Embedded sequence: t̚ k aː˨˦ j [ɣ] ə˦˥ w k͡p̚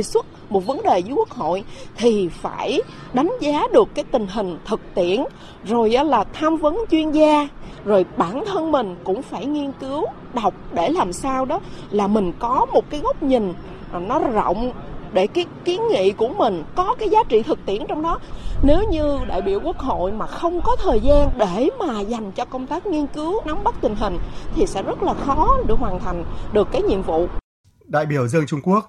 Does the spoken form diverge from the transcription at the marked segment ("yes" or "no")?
no